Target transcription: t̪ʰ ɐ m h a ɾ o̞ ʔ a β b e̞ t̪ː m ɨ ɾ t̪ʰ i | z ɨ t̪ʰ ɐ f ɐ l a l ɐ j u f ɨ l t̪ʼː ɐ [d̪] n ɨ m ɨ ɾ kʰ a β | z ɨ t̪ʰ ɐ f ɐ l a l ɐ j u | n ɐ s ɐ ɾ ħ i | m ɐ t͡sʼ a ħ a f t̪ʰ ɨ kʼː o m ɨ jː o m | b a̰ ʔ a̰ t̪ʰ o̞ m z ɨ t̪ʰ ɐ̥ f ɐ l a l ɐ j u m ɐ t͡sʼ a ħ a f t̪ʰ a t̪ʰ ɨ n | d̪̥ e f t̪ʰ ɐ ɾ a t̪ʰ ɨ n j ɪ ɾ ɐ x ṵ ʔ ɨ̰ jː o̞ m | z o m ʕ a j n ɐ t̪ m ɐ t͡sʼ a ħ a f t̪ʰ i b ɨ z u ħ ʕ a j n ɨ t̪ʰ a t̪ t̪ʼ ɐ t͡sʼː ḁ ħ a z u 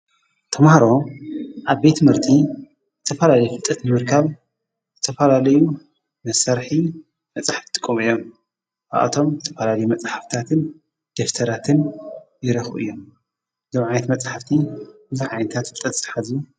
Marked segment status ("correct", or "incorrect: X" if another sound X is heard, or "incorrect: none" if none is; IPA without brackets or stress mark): incorrect: t̪